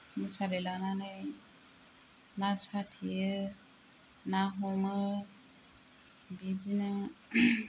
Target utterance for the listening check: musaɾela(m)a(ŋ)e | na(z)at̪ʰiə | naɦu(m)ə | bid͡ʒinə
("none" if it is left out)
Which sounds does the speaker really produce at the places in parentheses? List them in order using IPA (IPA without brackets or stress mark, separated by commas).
n, n, s, m